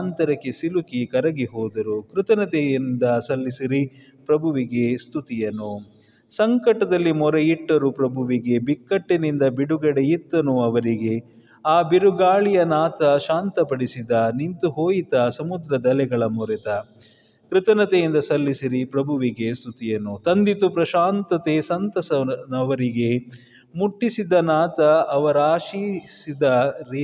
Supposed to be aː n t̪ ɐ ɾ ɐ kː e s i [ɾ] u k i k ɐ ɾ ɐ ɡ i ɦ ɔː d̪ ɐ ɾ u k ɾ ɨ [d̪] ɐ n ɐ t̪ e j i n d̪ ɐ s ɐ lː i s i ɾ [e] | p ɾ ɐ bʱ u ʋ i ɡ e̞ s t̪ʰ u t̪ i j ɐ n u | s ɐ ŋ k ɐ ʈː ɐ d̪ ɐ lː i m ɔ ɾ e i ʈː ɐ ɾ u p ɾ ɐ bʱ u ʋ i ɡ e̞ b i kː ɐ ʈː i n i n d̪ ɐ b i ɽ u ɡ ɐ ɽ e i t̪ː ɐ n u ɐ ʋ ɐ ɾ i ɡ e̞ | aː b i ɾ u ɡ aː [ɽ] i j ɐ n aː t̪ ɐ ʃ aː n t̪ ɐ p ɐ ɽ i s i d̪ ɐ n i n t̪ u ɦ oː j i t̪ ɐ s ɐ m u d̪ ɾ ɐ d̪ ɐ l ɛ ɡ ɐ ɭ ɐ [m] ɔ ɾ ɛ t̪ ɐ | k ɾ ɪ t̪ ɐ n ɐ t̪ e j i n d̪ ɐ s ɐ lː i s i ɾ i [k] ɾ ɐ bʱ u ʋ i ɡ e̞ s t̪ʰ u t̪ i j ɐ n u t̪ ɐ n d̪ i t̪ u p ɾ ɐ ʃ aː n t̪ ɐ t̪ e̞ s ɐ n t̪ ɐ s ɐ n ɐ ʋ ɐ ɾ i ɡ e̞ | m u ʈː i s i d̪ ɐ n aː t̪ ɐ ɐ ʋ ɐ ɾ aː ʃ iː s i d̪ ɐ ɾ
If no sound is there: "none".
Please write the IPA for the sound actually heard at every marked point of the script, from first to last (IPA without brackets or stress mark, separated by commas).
l, t̪, i, ɭ, m, p